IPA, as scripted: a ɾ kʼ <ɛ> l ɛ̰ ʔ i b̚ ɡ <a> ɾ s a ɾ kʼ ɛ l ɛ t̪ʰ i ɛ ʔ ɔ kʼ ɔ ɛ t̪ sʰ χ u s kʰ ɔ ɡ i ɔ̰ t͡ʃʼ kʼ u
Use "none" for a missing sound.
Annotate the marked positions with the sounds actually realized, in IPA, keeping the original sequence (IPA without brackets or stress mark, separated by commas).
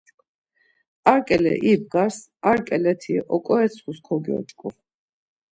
ɛ, a